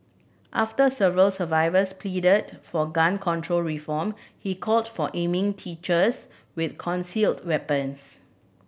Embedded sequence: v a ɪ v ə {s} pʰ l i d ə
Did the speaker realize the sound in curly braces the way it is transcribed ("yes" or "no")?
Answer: yes